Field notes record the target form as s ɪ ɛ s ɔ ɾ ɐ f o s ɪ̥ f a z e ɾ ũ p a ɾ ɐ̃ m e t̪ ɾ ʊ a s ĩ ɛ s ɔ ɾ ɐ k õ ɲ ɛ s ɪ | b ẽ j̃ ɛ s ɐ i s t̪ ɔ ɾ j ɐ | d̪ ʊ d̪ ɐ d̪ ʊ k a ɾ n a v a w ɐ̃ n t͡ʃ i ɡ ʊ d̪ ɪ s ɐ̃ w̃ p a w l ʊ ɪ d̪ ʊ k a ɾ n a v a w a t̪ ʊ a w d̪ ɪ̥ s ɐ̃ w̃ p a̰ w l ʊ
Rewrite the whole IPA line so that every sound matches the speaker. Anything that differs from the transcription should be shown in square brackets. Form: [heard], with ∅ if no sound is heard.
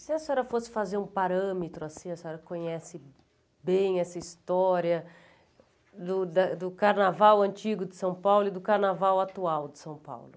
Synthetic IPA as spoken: s ɪ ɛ s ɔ ɾ ɐ f o s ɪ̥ f a z e ɾ ũ p a ɾ ɐ̃ m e t̪ ɾ ʊ a s ĩ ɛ s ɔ ɾ ɐ k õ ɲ ɛ s ɪ | b ẽ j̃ ɛ s ɐ i s t̪ ɔ ɾ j ɐ | d̪ ʊ d̪ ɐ d̪ ʊ k a ɾ n a v a w ɐ̃ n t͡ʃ i ɡ ʊ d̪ ɪ s ɐ̃ w̃ p a w l ʊ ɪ d̪ ʊ k a ɾ n a v a w a t̪ [u] a w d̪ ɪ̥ s ɐ̃ w̃ p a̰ w l ʊ